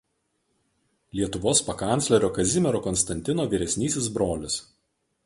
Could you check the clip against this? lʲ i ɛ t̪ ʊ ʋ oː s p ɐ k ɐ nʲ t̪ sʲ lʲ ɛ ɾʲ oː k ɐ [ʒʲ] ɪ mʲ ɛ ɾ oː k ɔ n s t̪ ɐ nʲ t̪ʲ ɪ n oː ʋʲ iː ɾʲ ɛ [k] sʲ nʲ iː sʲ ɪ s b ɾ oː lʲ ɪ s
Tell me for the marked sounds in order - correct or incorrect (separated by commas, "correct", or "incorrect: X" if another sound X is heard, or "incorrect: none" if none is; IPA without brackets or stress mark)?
incorrect: zʲ, incorrect: none